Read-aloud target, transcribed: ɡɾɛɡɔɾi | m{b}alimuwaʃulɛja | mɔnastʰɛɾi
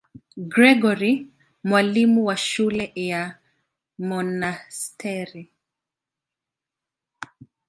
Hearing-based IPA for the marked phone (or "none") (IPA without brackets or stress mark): w